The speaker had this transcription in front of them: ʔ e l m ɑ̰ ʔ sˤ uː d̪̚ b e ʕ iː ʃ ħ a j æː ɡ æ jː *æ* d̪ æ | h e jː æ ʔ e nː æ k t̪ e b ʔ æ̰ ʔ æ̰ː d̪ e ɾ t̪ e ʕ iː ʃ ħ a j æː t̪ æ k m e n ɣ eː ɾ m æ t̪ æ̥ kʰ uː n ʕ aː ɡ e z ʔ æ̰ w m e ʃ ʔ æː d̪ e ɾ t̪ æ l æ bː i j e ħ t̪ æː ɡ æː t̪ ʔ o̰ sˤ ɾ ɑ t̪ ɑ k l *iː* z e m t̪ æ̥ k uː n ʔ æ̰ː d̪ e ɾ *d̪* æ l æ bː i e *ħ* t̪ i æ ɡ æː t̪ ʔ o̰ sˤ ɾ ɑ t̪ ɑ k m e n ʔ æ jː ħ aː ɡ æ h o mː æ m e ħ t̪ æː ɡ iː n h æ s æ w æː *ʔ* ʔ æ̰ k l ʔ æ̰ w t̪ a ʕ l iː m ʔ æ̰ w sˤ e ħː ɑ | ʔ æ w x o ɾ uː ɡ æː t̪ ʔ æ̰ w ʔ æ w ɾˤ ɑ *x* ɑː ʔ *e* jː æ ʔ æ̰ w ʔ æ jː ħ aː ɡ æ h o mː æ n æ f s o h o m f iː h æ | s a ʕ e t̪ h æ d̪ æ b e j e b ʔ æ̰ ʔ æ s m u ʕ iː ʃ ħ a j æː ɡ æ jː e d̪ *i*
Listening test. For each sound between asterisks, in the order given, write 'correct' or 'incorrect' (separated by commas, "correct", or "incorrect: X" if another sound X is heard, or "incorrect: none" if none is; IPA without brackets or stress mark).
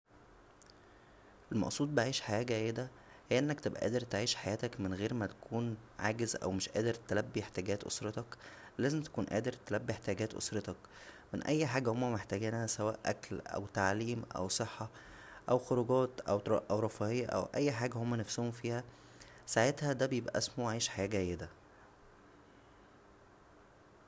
incorrect: e, incorrect: æː, incorrect: t̪, correct, correct, incorrect: f, correct, incorrect: æ